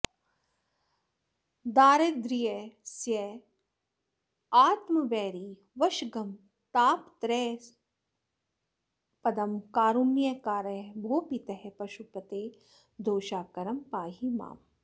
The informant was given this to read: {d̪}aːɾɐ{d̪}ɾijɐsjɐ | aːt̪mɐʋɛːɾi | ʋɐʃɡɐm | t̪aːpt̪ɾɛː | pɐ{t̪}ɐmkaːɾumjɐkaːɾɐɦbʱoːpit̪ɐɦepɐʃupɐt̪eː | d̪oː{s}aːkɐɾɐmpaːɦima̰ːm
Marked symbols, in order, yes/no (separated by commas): yes, yes, no, no